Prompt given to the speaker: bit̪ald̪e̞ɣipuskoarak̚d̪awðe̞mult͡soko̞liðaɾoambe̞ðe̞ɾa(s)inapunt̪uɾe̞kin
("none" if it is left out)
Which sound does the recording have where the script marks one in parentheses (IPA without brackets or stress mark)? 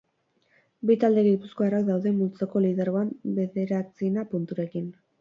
t͡s